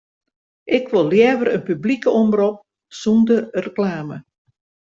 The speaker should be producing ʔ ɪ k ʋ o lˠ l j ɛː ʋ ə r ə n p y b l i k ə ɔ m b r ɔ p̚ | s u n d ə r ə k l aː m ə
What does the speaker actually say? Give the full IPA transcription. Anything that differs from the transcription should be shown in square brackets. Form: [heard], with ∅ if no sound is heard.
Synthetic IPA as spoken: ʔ ɪ k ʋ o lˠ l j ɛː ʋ ə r ə n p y b l i k ə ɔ m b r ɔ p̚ | s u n d ə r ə k l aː m ə